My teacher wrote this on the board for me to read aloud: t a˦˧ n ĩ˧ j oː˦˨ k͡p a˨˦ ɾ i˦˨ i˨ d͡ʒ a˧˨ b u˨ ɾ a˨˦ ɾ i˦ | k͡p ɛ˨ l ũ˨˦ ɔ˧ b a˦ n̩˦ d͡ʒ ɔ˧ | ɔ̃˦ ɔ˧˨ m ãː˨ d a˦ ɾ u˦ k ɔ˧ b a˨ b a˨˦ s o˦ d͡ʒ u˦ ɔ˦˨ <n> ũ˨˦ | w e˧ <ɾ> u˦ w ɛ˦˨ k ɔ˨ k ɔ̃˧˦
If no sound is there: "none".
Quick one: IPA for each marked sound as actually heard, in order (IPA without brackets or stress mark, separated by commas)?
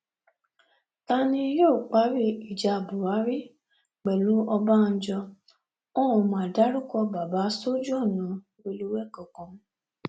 n, l